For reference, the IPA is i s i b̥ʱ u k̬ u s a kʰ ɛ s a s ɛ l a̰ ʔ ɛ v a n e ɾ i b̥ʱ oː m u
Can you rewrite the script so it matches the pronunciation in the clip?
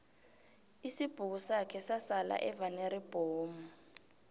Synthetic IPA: i s i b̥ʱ u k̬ u s a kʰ ɛ s a s a l a̰ ʔ ɛ v a n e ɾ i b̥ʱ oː m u